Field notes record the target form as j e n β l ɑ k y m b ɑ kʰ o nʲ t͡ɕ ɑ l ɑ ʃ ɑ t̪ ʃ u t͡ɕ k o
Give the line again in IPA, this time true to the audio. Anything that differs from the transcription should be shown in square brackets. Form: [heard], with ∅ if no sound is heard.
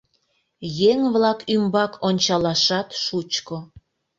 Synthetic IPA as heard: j e [ŋ] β l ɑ k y m b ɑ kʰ o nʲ t͡ɕ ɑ l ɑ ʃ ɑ t̪ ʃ u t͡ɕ k o